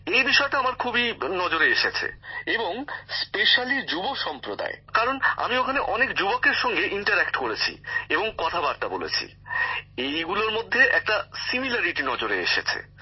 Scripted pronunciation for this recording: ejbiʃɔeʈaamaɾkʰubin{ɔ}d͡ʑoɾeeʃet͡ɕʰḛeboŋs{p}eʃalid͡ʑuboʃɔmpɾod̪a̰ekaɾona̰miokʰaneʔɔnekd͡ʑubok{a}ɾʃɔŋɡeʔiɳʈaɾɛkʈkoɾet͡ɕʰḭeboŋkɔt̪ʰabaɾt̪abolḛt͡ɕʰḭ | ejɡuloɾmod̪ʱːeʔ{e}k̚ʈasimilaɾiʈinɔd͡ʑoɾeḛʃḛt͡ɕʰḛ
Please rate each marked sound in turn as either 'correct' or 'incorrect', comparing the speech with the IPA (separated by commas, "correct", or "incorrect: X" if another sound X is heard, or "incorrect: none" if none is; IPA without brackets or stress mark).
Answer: correct, correct, incorrect: e, incorrect: ɛ